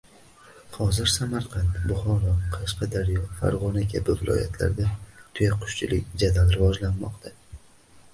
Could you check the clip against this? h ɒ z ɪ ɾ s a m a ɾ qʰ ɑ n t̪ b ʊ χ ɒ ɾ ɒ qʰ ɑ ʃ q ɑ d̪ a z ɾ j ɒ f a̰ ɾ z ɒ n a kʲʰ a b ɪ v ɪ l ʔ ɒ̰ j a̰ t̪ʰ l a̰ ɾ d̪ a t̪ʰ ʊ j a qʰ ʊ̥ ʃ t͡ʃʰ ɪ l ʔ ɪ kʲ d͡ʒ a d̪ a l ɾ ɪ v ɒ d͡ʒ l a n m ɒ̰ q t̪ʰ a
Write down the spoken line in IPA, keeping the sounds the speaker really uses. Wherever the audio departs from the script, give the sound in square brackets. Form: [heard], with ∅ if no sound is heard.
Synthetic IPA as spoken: h ɒ z ɪ ɾ s a m a ɾ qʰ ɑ n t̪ b ʊ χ ɒ ɾ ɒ qʰ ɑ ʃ q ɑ d̪ a [∅] ɾ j ɒ f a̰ ɾ [ʁ] ɒ n a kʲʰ a b ɪ v ɪ l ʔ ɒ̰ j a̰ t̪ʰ l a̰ ɾ d̪ a t̪ʰ ʊ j a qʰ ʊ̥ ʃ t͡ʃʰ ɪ l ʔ ɪ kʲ d͡ʒ a d̪ a l ɾ ɪ v ɒ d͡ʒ l a n m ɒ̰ q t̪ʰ a